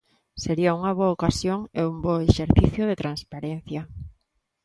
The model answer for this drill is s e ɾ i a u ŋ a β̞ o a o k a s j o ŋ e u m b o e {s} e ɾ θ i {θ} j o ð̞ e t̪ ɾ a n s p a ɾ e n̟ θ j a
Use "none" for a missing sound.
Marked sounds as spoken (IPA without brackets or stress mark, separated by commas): ʃ, θ